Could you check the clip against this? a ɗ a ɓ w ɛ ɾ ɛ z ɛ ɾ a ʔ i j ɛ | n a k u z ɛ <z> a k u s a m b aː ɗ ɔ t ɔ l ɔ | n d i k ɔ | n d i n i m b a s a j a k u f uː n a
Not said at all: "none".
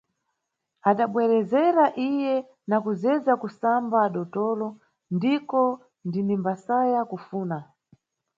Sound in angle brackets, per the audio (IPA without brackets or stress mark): z